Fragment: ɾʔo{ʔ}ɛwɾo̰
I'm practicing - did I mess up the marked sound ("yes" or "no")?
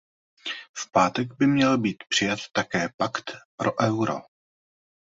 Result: no